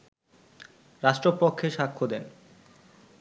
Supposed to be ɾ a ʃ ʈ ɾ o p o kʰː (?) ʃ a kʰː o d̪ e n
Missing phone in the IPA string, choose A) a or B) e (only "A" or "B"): B